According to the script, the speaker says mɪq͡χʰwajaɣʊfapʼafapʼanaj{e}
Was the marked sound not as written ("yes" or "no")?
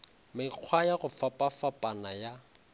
yes